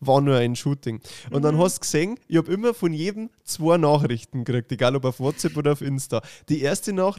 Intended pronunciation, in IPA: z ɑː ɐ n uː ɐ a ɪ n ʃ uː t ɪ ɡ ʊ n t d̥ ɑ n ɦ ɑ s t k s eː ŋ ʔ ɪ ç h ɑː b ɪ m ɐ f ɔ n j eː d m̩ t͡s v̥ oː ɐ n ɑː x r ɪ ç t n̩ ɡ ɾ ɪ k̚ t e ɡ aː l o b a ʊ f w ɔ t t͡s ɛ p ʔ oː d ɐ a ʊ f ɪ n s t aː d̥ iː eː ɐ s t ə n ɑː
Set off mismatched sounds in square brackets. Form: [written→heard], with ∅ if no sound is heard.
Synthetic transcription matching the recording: [z→v] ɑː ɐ n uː ɐ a ɪ n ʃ uː t ɪ [ɡ→ŋ] ʊ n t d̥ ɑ n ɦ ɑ s t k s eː ŋ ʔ ɪ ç h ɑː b ɪ m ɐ f ɔ n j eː d m̩ t͡s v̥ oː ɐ n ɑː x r ɪ ç t n̩ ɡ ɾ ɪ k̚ t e ɡ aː l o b a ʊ f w ɔ t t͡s ɛ p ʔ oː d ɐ a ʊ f ɪ n s t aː d̥ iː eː ɐ s t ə n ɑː